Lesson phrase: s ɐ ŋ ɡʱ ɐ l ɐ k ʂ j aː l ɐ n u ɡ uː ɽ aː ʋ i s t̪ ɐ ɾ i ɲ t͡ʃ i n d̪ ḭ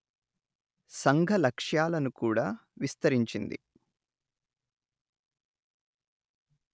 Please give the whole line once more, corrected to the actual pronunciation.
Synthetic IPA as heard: s ɐ ŋ ɡʱ ɐ l ɐ k ʂ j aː l ɐ n u k uː ɽ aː ʋ i s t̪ ɐ ɾ i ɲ t͡ʃ i n d̪ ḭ